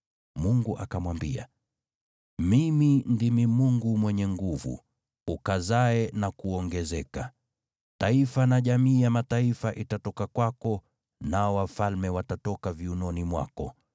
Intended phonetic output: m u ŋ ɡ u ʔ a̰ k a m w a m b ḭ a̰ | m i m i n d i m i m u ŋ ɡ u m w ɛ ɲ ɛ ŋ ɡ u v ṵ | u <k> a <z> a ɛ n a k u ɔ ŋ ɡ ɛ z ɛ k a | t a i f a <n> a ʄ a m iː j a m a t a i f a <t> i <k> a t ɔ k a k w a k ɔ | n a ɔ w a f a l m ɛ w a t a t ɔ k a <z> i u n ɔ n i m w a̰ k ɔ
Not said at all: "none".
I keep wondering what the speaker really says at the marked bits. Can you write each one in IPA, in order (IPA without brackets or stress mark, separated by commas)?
k, z, n, ʔ, t, v